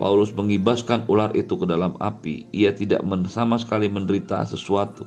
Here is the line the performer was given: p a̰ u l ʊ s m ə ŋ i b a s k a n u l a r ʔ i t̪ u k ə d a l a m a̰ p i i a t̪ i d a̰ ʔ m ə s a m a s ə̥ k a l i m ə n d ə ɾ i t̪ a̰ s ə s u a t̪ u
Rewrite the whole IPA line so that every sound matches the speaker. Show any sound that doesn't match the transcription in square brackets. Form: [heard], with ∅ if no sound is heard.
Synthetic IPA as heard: p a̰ u l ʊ s m ə ŋ i b a s k a n u l a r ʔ i t̪ u k ə d a l a m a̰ p i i a t̪ i d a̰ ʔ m ə s a m a s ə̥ k a l i m ə n d ə ɾ i t̪ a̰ s ə s u a t̪ u